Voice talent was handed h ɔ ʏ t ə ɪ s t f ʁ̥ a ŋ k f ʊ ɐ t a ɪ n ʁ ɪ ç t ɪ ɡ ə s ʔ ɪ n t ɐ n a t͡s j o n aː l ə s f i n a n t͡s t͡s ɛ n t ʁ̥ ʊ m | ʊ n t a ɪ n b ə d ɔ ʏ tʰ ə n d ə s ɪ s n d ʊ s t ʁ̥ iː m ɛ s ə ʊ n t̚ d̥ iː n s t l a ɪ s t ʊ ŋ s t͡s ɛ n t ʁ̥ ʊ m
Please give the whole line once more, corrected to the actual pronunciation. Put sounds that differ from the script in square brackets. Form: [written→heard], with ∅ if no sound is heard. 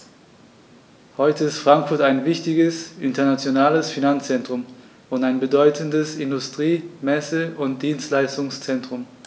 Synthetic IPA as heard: h ɔ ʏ t ə ɪ s t f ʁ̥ a ŋ k f ʊ ɐ t a ɪ n [ʁ→v] ɪ ç t ɪ ɡ ə s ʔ ɪ n t ɐ n a t͡s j o n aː l ə s f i n a n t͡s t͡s ɛ n t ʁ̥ ʊ m | ʊ n t a ɪ n b ə d ɔ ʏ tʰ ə n d ə s ɪ [s→∅] n d ʊ s t ʁ̥ iː m ɛ s ə ʊ n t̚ d̥ iː n s t l a ɪ s t ʊ ŋ s t͡s ɛ n t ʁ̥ ʊ m